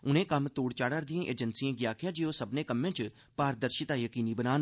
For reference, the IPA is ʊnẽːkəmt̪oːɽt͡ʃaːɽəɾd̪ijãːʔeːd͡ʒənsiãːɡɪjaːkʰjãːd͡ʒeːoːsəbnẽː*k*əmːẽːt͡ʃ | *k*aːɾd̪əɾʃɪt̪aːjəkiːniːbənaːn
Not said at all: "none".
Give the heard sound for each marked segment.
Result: k, p

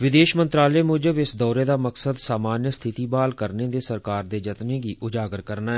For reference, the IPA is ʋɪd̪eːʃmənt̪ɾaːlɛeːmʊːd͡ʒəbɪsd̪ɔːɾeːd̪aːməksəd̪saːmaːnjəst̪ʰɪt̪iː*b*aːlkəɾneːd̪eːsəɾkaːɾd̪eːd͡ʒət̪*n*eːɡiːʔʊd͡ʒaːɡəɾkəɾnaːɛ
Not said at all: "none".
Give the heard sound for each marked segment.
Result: b, n

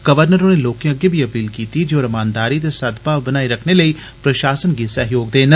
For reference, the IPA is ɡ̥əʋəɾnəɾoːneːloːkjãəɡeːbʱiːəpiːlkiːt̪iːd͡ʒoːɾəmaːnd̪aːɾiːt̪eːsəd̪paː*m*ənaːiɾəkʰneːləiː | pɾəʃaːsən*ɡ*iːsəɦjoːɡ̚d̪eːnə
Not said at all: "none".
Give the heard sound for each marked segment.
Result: b, ɡ

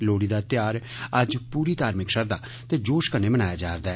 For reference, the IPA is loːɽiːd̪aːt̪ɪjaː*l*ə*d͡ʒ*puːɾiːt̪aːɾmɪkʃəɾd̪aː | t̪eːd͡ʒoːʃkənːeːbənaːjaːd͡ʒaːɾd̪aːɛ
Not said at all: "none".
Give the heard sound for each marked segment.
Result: ɾ, d͡ʒ

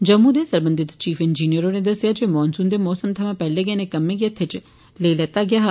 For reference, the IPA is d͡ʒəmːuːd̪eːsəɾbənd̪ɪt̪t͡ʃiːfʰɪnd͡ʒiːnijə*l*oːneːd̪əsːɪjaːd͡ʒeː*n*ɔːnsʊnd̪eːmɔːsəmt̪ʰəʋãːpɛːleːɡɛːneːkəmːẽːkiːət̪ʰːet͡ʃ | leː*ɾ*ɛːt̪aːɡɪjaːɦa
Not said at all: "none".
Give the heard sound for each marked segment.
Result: ɾ, m, l

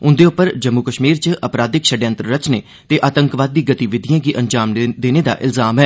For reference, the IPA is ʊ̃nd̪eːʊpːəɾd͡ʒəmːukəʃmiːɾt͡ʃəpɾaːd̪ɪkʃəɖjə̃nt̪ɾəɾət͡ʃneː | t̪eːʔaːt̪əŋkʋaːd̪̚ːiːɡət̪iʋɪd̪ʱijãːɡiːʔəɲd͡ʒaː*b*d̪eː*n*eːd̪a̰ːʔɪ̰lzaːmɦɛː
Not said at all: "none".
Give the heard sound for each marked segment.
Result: m, n

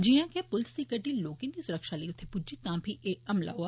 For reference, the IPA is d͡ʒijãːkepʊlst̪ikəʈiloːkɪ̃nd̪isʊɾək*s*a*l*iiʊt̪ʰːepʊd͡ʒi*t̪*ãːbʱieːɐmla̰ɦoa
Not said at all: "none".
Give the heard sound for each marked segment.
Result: ʃ, l, t̪

